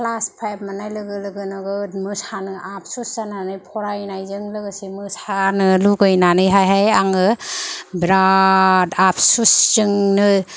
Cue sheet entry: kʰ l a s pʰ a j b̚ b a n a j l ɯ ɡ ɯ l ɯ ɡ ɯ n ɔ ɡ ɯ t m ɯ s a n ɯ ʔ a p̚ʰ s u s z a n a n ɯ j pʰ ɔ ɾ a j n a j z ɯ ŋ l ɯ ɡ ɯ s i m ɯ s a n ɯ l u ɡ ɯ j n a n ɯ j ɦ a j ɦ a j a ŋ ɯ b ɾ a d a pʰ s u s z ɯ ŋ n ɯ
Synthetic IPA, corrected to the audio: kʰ l a s pʰ a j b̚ m a n a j l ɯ ɡ ɯ l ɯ ɡ ɯ n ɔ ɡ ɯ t m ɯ s a n ɯ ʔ a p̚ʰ s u s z a n a n ɯ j pʰ ɔ ɾ a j n a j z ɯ ŋ l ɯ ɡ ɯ s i m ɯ s a n ɯ l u ɡ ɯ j n a n ɯ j ɦ a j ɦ a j a ŋ ɯ b ɾ a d a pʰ s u s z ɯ ŋ n ɯ

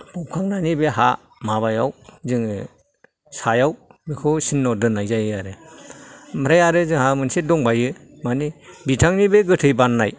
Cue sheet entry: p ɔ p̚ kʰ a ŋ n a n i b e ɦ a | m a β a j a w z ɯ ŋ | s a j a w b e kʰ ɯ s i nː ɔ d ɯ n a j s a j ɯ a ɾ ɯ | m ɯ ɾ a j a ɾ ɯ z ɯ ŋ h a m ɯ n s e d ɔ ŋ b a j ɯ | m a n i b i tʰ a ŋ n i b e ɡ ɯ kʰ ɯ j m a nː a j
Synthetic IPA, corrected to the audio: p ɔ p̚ kʰ a ŋ n a n i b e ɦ a | m a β a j a w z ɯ ŋ | s a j a w b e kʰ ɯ s i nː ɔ d ɯ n a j z a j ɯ a ɾ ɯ | m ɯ ɾ a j a ɾ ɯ z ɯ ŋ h a m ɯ n s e d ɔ ŋ b a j ɯ | m a n i b i tʰ a ŋ n i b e ɡ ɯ tʰ ɯ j b a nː a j

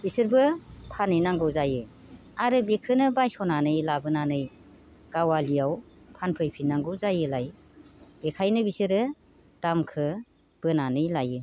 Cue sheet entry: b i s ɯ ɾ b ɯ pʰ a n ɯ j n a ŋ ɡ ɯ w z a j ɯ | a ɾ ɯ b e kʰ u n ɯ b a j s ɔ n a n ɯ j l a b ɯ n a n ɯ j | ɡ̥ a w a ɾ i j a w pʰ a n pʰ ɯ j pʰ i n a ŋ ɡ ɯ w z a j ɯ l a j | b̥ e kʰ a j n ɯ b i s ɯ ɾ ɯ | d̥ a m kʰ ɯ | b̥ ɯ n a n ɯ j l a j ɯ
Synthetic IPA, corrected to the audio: b i s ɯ ɾ b ɯ pʰ a n ɯ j n a ŋ ɡ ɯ w z a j ɯ | a ɾ ɯ b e kʰ ɯ n ɯ b a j s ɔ n a n ɯ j l a b ɯ n a n ɯ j | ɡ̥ a w a l i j a w pʰ a n pʰ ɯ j pʰ i n a ŋ ɡ ɯ w z a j ɯ l a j | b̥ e kʰ a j n ɯ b i s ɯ ɾ ɯ | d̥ a m kʰ ɯ | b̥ ɯ n a n ɯ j l a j ɯ

